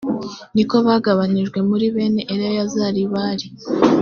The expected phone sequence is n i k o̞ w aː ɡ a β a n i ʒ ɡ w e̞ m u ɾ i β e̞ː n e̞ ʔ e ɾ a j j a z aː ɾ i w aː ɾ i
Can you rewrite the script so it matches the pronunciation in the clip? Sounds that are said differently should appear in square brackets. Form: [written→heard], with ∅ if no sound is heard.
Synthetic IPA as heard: n i k o̞ [w→β] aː ɡ a β a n i ʒ ɡ w e̞ m u ɾ i β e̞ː n e̞ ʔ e ɾ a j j a z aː ɾ i [w→β] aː ɾ i